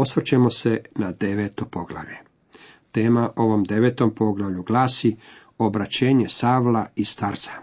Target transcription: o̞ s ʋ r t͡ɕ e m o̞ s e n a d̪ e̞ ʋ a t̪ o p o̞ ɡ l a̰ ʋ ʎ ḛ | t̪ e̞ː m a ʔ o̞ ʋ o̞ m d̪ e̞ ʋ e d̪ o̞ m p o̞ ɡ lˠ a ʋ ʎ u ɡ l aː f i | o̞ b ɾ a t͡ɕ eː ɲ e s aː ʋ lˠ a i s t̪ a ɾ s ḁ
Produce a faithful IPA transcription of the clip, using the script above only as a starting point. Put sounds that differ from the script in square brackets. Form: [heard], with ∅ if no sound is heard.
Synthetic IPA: o̞ s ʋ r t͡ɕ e m o̞ s e n a d̪ e̞ ʋ [e] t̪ o p o̞ ɡ l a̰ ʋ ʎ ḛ | t̪ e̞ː m a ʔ o̞ ʋ o̞ m d̪ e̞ ʋ e [t̪] o̞ m p o̞ ɡ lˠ a ʋ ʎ u ɡ l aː [s] i | o̞ b ɾ a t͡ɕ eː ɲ e s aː ʋ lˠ a i s t̪ a ɾ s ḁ